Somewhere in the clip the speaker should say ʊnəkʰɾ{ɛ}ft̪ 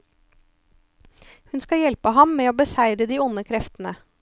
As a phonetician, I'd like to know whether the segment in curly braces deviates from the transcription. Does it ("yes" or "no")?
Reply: no